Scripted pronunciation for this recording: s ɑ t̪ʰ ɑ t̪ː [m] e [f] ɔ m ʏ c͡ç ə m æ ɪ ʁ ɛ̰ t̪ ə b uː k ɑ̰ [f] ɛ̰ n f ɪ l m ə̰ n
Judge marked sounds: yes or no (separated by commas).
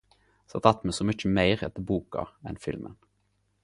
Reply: yes, no, no